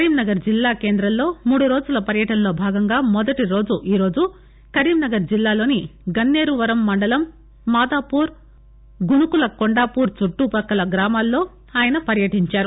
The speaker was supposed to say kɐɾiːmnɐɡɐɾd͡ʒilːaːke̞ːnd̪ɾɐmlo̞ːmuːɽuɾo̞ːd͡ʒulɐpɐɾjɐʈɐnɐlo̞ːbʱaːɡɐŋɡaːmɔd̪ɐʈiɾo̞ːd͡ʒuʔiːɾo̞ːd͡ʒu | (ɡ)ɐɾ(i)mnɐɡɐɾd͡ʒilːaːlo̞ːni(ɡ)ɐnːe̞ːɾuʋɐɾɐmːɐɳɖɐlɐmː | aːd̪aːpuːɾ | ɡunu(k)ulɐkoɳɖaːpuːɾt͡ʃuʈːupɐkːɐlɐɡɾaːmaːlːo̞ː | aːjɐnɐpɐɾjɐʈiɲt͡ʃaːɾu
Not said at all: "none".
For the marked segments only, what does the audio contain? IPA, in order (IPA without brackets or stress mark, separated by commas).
k, iː, ɡ, k